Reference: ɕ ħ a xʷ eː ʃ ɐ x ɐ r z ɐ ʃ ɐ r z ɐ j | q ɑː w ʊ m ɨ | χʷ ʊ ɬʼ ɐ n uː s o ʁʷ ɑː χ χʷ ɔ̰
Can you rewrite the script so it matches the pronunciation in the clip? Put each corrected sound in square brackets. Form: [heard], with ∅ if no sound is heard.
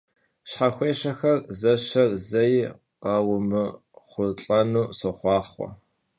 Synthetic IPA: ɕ ħ a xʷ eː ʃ ɐ x ɐ r z ɐ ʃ ɐ r z ɐ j | q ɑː w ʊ m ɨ | χʷ ʊ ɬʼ ɐ n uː s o [χʷ] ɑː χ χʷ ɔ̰

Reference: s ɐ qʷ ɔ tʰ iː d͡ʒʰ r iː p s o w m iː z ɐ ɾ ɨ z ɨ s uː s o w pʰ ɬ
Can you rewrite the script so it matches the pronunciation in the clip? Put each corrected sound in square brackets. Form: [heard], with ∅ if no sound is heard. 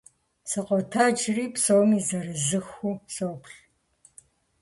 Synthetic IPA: s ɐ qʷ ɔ tʰ [aː] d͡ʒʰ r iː p s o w m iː z ɐ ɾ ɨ z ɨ [x] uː s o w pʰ ɬ

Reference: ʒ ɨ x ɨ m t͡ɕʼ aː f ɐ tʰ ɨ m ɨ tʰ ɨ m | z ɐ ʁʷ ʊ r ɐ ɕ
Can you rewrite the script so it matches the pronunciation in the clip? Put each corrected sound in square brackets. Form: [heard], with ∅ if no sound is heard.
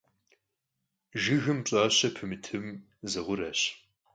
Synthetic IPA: ʒ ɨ [ɣ] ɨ m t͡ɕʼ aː [ɕ] ɐ [pʰ] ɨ m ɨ tʰ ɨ m | z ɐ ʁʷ ʊ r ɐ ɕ

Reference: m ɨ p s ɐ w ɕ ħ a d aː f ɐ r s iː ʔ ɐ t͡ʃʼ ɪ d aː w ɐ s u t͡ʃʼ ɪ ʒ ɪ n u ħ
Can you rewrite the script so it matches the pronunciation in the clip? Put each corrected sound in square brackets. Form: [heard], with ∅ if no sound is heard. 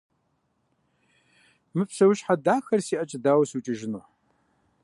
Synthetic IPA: m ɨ p s ɐ w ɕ ħ a d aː [x] ɐ r s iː ʔ ɐ t͡ʃʼ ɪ d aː w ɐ s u t͡ʃʼ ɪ ʒ ɪ n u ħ

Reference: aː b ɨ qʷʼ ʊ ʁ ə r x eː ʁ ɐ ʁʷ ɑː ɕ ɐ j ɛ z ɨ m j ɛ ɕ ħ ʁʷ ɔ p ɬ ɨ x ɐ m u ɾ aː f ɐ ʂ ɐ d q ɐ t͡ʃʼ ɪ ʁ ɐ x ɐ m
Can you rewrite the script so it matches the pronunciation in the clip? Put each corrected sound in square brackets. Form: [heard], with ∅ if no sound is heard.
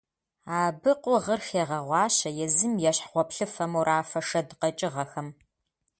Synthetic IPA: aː b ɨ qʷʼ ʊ ʁ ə r x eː ʁ ɐ ʁʷ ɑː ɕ ɐ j ɛ z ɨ m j ɛ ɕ ħ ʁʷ ɔ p ɬ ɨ [f] ɐ m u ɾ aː f ɐ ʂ ɐ d q ɐ t͡ʃʼ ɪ ʁ ɐ x ɐ m

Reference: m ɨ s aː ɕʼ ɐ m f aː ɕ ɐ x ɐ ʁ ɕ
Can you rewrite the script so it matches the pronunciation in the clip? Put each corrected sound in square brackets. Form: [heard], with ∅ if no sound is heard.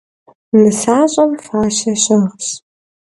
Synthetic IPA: m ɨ s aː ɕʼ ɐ m f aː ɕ ɐ [ɕ] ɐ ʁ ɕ

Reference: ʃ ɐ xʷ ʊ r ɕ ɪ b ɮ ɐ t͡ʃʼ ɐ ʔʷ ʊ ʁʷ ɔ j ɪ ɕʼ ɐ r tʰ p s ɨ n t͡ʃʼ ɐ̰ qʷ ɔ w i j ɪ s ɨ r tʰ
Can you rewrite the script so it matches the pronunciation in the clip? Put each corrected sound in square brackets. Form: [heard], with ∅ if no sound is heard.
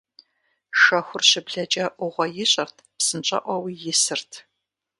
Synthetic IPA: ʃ ɐ xʷ ʊ r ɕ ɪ b ɮ ɐ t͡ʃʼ ɐ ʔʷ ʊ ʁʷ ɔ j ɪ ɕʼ ɐ r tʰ p s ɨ n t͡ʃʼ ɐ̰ [ʔʷ] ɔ w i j ɪ s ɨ r tʰ

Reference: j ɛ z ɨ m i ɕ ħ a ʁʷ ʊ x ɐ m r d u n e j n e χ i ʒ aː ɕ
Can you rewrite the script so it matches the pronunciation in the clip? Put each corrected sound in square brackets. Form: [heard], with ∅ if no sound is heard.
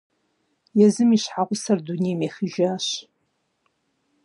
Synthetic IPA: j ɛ z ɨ m i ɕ ħ a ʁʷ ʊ [s] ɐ [∅] r d u n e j [m] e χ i ʒ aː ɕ

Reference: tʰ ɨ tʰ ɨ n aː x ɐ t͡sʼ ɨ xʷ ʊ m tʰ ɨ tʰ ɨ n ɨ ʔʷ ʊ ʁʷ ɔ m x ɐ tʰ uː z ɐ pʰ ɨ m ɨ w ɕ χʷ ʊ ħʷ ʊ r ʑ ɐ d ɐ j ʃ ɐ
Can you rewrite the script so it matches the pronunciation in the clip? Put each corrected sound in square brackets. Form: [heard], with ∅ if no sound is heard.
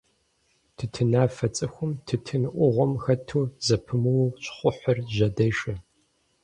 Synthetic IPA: tʰ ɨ tʰ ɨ n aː [f] ɐ t͡sʼ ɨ xʷ ʊ m tʰ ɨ tʰ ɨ n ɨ ʔʷ ʊ ʁʷ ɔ m x ɐ tʰ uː z ɐ pʰ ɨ m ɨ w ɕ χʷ ʊ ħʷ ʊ r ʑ ɐ d ɐ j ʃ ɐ

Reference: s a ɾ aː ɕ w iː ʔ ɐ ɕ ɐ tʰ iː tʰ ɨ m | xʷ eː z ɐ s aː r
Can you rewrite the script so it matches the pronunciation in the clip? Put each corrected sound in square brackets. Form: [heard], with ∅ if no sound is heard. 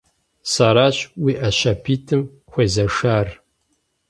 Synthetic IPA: s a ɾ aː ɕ w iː ʔ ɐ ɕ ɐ [pʰ] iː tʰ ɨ m | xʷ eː z ɐ [ʂ] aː r

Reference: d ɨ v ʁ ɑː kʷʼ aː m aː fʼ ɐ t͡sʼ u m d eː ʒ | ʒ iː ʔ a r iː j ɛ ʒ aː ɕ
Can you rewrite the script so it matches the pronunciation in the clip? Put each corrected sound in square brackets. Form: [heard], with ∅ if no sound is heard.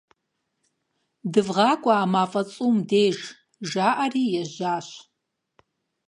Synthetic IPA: d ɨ v ʁ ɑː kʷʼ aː m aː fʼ ɐ t͡sʼ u m d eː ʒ | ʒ [aː] ʔ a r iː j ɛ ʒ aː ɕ

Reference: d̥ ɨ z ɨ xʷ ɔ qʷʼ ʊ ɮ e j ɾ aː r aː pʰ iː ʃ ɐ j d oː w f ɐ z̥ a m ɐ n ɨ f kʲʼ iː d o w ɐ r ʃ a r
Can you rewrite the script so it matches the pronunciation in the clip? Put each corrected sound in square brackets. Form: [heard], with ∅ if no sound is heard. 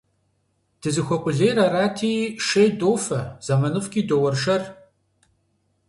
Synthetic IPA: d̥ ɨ z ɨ xʷ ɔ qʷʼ ʊ ɮ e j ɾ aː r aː [tʰ] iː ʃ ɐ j d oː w f ɐ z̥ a m ɐ n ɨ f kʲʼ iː d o w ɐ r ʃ [ɐ] r

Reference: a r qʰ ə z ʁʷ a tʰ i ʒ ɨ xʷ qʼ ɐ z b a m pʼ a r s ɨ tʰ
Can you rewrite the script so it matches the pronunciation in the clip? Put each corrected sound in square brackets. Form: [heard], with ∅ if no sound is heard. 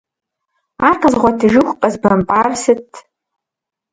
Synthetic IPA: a r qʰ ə z ʁʷ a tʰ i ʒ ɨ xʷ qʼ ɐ z b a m pʼ a r s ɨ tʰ

